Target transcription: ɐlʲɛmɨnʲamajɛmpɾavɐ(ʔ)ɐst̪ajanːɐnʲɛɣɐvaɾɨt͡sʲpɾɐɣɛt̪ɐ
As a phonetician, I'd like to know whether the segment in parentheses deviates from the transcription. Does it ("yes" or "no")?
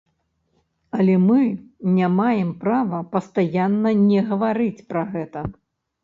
yes